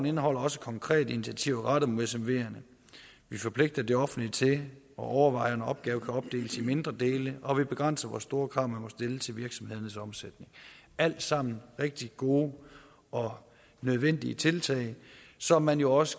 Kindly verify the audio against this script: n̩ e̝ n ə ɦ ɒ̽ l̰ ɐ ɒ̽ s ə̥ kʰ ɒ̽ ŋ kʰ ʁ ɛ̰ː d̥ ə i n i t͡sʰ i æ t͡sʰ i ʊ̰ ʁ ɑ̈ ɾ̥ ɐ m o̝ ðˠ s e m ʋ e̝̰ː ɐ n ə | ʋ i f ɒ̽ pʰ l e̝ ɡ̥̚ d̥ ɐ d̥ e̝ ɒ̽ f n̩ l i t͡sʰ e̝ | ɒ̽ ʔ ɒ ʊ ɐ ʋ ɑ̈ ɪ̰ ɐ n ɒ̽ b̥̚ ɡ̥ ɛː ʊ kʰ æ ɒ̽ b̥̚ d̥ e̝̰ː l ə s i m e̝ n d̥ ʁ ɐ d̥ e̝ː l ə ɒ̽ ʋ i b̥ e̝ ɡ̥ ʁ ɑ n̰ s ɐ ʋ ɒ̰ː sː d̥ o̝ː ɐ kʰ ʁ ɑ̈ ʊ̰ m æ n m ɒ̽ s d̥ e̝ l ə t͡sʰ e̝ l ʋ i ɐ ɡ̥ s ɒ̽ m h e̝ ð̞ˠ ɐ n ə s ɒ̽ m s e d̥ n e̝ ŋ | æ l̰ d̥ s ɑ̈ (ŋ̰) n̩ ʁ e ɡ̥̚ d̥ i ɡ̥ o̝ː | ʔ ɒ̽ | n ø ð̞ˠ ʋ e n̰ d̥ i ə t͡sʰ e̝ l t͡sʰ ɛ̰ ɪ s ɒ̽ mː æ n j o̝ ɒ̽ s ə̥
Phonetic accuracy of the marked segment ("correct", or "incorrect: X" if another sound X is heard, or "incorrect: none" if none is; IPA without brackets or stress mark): incorrect: m̰